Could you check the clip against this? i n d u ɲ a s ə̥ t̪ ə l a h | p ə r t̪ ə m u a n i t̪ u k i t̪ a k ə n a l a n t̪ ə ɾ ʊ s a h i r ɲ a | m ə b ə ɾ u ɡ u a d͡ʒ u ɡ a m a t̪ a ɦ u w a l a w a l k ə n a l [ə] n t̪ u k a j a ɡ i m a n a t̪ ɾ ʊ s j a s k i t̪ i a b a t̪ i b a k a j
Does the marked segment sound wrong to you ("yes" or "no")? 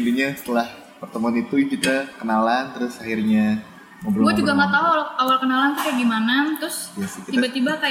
yes